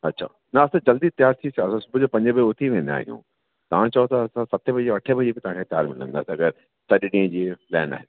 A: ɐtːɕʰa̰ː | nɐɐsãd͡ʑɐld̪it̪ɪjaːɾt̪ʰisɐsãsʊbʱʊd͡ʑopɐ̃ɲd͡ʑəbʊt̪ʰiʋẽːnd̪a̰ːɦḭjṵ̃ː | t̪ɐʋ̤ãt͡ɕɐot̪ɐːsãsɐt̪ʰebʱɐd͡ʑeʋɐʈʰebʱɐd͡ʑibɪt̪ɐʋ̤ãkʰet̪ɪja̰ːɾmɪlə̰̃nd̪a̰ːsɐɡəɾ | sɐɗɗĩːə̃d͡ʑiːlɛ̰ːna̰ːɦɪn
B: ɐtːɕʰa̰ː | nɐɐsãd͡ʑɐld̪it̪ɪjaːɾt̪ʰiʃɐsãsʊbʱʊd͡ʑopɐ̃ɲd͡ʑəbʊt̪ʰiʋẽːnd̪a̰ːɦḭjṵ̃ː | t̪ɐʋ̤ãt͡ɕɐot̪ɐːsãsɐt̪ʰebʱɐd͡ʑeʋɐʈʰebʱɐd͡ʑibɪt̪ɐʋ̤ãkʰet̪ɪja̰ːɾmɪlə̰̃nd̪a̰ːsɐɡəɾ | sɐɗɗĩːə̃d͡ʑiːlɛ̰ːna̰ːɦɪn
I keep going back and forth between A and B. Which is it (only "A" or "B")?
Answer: A